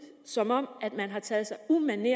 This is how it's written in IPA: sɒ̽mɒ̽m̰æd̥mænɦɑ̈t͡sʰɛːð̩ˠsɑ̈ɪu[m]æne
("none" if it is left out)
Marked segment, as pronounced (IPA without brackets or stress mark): m